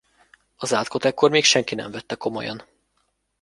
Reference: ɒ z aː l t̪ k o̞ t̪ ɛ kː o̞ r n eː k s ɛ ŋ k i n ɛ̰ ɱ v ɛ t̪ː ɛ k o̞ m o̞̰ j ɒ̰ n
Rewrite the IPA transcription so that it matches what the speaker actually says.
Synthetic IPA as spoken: ɒ z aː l t̪ k o̞ t̪ ɛ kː o̞ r m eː k ʃ ɛ ŋ k i n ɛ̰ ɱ v ɛ t̪ː ɛ k o̞ m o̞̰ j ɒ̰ n